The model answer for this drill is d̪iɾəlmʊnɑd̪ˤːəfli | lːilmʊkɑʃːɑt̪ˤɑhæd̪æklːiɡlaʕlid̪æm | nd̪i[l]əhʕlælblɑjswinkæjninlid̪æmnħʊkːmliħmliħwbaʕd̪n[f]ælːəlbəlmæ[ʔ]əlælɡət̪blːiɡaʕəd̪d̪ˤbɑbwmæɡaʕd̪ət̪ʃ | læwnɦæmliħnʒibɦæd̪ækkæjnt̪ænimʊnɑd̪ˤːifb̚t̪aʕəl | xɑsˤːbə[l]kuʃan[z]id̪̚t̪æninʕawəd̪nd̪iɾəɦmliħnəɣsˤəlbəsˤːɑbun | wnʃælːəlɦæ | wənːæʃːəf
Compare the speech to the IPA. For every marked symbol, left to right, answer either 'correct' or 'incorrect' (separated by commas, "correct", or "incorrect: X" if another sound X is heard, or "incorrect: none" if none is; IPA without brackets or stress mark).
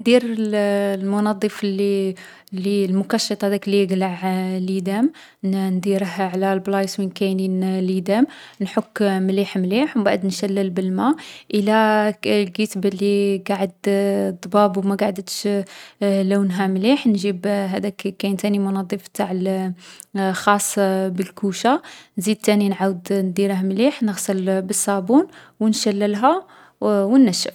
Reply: incorrect: ɾ, incorrect: ʃ, correct, correct, correct